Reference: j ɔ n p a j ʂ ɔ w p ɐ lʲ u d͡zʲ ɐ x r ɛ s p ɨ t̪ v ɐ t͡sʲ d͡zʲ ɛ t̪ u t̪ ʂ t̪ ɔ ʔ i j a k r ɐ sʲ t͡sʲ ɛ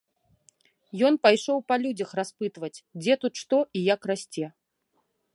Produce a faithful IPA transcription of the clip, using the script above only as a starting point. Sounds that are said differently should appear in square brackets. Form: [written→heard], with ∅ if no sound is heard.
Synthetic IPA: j ɔ n p a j ʂ ɔ w p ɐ lʲ u d͡zʲ ɐ x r [ɛ→a] s p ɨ t̪ v ɐ t͡sʲ d͡zʲ ɛ t̪ u t̪ ʂ t̪ ɔ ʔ i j a k r [ɐ→a] sʲ t͡sʲ ɛ

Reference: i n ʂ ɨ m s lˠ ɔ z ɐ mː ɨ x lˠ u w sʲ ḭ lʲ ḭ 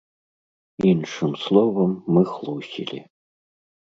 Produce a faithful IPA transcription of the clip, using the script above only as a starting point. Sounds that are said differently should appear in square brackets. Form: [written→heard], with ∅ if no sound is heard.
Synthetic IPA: i n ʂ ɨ m s lˠ ɔ [z→v] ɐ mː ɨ x lˠ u w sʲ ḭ lʲ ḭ

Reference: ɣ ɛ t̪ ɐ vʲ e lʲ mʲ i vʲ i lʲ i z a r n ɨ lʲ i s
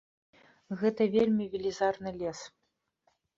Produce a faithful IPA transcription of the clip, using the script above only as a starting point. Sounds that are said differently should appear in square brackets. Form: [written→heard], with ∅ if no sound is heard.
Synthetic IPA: ɣ ɛ t̪ ɐ vʲ e lʲ mʲ i vʲ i lʲ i z a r n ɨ lʲ [i→ɛ] s

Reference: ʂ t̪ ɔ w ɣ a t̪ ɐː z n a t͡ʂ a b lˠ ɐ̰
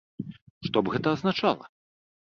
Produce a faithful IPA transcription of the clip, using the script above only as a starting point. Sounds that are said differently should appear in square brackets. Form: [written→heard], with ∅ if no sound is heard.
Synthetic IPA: ʂ t̪ ɔ [w→b] ɣ [a→ɛ] t̪ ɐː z n a t͡ʂ a [b→∅] lˠ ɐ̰

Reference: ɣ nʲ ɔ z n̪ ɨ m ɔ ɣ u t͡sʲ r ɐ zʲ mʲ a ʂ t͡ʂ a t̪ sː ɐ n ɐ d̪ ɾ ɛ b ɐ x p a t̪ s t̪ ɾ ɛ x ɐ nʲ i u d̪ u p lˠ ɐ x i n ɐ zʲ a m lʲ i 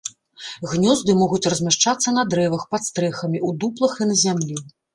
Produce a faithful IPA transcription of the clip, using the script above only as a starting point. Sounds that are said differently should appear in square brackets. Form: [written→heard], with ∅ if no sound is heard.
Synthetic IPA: ɣ nʲ ɔ z [n̪→d̪] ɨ m ɔ ɣ u t͡sʲ r ɐ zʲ mʲ a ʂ t͡ʂ a t̪ sː ɐ n ɐ d̪ ɾ ɛ [b→v] ɐ x p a t̪ s t̪ ɾ ɛ x ɐ [nʲ→mʲ] i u d̪ u p lˠ ɐ x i n ɐ zʲ a m lʲ i

